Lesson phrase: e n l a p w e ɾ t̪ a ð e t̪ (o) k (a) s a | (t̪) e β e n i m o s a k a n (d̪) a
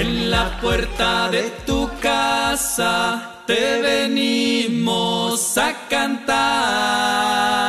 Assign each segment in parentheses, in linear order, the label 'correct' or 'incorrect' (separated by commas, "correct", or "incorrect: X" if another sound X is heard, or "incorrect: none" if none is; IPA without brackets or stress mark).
incorrect: u, correct, correct, incorrect: t̪